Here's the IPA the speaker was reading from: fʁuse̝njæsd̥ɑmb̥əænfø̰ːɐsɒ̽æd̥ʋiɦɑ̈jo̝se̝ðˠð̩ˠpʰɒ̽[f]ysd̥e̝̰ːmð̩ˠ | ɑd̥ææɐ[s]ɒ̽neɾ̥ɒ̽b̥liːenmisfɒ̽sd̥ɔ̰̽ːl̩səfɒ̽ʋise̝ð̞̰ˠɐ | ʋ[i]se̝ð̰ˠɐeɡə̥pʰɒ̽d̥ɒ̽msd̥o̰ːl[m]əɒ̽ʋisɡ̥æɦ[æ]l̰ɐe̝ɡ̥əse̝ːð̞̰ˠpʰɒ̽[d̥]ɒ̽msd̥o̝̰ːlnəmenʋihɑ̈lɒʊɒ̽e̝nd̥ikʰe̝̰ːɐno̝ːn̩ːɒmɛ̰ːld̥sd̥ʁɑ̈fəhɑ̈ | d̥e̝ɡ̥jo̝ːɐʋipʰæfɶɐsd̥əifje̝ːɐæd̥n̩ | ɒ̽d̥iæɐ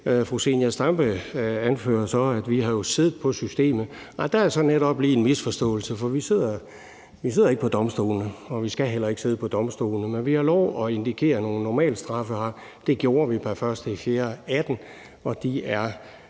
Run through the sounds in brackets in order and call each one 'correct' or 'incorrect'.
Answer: incorrect, correct, correct, incorrect, incorrect, correct

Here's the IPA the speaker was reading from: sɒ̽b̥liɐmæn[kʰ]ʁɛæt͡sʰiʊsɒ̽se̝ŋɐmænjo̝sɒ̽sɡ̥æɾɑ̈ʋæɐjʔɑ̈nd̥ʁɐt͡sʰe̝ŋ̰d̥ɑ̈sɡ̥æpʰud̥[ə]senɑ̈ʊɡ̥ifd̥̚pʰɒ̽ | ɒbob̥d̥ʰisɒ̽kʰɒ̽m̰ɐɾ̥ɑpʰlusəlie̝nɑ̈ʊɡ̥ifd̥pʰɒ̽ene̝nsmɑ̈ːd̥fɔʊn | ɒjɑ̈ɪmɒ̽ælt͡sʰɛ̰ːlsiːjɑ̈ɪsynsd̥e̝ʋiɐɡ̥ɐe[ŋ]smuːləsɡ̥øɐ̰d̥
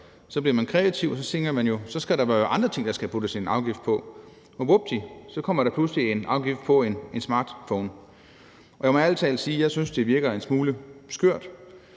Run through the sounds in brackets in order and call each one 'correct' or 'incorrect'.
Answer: correct, correct, incorrect

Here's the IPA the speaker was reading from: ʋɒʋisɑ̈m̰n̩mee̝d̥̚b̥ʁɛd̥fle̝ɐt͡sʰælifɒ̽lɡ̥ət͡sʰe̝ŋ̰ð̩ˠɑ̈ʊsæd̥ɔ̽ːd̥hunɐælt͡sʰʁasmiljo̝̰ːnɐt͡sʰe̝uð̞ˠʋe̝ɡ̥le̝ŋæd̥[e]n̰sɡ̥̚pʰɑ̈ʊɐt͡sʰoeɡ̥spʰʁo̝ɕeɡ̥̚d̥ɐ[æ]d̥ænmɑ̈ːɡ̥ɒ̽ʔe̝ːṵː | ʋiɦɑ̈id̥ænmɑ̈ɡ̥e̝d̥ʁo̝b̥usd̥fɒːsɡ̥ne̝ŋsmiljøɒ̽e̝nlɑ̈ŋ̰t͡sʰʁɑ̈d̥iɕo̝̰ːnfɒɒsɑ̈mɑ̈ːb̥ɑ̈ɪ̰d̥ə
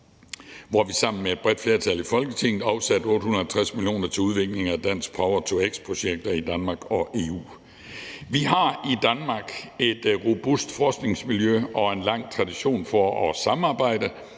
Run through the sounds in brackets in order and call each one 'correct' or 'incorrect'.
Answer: incorrect, incorrect

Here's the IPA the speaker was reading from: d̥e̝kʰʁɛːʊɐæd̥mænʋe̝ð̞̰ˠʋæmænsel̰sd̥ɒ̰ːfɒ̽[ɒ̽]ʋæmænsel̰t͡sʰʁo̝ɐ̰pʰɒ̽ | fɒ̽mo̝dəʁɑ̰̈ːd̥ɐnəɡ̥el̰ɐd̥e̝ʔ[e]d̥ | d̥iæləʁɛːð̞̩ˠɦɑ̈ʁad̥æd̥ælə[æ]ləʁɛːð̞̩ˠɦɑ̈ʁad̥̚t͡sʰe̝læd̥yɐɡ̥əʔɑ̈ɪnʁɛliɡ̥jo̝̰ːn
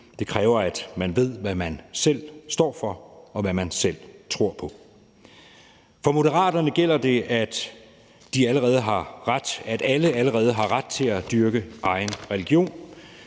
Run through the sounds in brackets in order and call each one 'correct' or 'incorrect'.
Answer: correct, incorrect, correct

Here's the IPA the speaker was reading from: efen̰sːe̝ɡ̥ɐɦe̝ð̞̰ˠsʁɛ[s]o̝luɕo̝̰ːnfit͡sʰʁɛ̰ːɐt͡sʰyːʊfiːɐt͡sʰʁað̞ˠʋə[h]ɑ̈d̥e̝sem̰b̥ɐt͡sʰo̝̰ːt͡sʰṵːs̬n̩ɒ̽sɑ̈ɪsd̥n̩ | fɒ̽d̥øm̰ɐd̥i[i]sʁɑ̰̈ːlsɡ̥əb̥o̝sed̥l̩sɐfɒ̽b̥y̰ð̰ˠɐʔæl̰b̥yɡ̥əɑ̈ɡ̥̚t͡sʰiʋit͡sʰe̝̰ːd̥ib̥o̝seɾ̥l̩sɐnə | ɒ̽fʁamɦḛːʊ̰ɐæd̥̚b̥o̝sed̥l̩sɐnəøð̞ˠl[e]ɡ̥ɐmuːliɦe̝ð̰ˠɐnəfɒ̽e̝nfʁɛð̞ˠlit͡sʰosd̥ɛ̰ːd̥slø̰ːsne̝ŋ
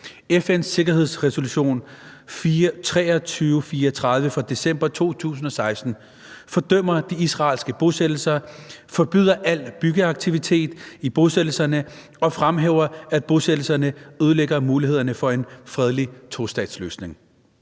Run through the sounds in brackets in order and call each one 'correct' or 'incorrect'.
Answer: correct, incorrect, correct, correct

